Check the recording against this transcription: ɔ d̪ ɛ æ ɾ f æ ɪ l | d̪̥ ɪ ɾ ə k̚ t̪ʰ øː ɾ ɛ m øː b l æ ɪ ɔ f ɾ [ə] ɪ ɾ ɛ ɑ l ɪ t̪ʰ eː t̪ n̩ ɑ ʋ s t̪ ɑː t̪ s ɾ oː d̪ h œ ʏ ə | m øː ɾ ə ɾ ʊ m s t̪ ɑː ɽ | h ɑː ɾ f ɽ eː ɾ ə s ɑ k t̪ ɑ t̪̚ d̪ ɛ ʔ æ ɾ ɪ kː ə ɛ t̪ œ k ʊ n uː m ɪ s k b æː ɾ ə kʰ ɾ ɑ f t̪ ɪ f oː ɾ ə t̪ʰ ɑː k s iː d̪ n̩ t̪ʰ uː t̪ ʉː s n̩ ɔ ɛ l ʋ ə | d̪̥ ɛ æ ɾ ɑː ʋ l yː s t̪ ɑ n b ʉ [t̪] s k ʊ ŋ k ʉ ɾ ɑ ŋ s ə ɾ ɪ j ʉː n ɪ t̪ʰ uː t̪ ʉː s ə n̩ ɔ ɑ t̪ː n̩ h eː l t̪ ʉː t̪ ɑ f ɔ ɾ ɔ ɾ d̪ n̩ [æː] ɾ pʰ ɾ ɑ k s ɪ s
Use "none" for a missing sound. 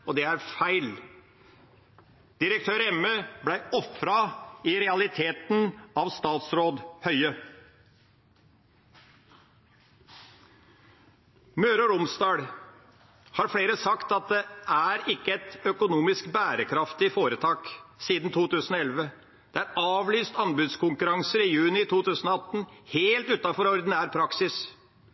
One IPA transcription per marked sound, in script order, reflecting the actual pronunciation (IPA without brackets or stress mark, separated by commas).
ɑ, d̪, æː